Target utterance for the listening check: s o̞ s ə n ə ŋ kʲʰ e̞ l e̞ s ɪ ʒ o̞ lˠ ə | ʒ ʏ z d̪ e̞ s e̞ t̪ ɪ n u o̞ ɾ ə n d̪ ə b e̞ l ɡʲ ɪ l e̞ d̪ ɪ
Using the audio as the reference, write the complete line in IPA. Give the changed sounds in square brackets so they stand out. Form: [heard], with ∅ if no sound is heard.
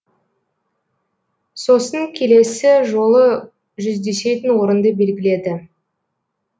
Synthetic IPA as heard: s o̞ s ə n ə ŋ kʲʰ e̞ l e̞ s ɪ ʒ o̞ lˠ ə | ʒ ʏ z d̪ e̞ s e̞ t̪ ɪ n [w] o̞ ɾ ə n d̪ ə b e̞ l ɡʲ ɪ l e̞ d̪ ɪ